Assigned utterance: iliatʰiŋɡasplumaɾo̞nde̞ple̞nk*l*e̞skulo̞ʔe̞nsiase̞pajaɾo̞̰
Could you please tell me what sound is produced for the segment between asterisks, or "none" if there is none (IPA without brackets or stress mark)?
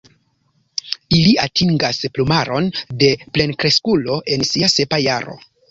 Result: ɾ